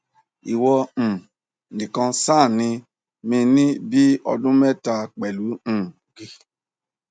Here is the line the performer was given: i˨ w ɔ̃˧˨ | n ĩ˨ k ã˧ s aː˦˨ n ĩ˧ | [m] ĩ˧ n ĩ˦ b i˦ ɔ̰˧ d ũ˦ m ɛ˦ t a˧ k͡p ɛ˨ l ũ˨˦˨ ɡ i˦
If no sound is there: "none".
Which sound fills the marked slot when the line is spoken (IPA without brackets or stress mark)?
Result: m